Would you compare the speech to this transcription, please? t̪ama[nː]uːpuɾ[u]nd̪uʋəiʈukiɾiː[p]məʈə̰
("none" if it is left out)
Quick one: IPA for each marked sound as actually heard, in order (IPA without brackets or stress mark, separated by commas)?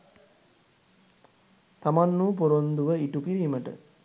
nː, o, none